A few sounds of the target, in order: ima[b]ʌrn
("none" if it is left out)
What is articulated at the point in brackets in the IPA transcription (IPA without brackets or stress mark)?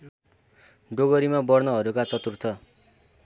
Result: b